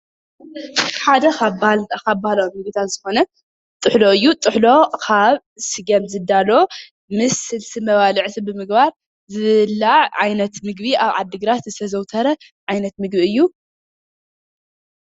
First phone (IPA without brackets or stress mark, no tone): ħ